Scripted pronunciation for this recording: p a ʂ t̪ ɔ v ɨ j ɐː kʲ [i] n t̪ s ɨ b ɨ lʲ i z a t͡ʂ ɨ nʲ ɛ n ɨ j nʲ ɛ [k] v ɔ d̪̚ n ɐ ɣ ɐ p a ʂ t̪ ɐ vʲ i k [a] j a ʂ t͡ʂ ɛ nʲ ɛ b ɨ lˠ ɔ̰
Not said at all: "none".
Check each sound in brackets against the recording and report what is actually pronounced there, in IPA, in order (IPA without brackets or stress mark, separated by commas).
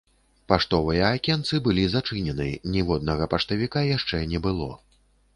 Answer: ɛ, none, a